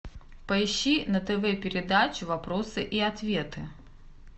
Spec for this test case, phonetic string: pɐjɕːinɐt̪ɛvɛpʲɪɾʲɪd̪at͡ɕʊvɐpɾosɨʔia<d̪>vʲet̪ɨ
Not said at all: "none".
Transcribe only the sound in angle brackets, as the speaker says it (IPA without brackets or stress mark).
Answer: t̪